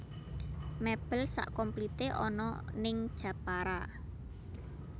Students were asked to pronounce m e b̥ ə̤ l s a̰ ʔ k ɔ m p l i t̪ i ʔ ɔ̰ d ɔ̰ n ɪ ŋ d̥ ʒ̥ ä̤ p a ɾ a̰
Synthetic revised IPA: m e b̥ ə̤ l s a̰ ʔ k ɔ m p l i t̪ e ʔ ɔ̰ n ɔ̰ n ɪ ŋ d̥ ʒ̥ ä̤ p a ɾ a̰